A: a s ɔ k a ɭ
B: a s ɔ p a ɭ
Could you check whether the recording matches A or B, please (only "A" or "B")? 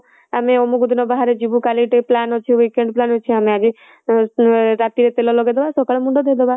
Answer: A